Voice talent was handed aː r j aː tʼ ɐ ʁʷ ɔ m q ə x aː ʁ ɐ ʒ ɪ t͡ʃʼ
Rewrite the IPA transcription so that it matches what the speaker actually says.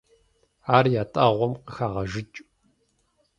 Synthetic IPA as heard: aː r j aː tʼ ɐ ʁʷ ɔ m q ə x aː ʁ ɐ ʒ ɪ t͡ʃʼ